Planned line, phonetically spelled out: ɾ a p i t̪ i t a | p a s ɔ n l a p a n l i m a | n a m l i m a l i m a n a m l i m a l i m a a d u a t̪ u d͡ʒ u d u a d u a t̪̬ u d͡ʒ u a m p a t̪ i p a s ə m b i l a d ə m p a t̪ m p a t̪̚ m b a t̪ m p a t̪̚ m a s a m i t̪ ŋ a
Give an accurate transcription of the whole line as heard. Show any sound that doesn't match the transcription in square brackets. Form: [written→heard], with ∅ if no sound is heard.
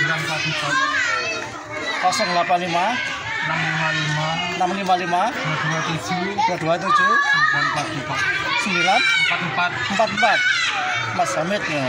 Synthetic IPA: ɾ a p [i→a] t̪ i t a | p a s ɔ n l a p a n l i m a | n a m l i m a l i m a n a m l i m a l i m a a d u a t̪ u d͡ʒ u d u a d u a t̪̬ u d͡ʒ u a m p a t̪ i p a s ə m b i l a [d→n] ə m p a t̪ m p a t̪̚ m [b→p] a t̪ m p a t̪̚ m a s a m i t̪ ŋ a